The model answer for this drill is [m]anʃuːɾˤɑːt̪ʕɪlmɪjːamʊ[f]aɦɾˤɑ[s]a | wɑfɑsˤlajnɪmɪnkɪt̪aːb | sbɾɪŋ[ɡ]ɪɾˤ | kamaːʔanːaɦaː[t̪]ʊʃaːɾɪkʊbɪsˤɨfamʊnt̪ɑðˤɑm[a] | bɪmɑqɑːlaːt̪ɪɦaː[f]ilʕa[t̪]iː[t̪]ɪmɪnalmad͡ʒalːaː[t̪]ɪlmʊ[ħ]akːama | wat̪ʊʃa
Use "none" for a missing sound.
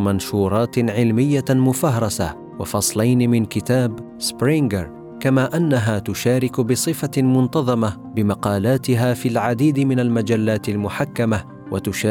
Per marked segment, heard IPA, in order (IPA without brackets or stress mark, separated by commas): m, f, s, ɡ, t̪, a, f, d̪, d̪, t̪, ħ